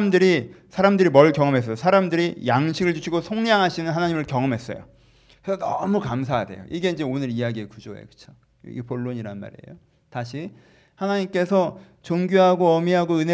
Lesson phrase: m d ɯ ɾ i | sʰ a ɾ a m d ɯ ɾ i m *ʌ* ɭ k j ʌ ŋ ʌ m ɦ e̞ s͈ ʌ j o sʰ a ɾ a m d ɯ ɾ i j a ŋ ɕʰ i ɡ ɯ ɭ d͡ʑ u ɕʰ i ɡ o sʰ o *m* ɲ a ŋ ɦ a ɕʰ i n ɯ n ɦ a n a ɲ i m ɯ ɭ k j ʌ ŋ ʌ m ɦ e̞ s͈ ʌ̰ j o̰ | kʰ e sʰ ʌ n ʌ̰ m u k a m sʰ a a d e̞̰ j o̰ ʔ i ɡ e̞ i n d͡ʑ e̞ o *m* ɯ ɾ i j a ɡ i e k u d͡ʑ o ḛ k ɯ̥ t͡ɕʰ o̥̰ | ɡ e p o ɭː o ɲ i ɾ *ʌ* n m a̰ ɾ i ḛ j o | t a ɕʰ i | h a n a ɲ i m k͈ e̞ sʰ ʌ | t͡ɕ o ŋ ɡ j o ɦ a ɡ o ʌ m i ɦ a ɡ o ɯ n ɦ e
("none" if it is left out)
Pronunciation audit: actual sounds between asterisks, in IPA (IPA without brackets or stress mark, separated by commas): ʌ, ŋ, n, a